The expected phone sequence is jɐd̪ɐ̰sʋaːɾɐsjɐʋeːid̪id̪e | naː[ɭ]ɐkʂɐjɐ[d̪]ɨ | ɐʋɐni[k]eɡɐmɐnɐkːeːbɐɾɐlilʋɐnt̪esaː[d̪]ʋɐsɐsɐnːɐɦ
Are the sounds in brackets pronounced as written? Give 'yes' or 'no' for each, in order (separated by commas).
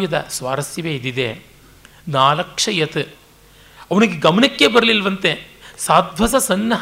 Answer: no, no, no, yes